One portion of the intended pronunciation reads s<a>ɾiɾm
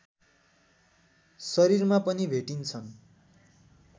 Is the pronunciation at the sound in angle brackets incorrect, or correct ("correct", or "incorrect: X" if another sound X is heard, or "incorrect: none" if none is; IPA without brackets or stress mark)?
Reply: incorrect: ʌ